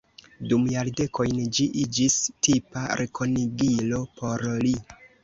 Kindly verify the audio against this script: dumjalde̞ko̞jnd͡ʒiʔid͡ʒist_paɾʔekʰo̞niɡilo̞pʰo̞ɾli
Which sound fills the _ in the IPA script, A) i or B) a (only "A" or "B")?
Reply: A